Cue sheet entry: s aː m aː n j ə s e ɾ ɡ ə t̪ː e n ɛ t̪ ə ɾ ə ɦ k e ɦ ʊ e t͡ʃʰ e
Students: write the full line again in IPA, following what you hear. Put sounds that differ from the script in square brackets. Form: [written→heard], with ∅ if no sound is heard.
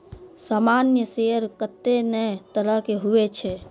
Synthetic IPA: s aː m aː n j ə s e ɾ [ɡ→k] ə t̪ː e n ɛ t̪ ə ɾ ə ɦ k e ɦ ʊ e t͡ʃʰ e

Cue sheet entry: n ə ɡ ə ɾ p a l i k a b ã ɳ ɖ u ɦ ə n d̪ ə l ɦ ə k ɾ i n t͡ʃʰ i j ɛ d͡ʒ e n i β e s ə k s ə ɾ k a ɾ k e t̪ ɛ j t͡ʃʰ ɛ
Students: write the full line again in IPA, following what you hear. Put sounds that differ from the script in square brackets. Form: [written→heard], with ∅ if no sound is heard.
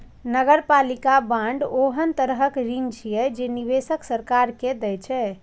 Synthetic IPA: n ə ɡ ə ɾ p a l i k a b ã ɳ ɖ [u→o] ɦ ə n [d̪→t̪] ə [l→ɾ] ɦ ə k ɾ i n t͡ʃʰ i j ɛ d͡ʒ e n i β e s ə k s ə ɾ k a ɾ k e [t̪→d̪] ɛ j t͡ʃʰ ɛ

